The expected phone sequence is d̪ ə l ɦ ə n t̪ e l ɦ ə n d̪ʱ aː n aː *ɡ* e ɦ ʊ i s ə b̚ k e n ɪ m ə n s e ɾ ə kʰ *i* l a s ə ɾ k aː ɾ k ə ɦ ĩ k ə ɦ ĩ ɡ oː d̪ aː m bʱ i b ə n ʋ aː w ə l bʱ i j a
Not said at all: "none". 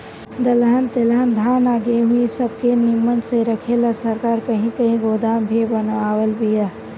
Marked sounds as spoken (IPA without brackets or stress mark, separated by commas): ɡ, e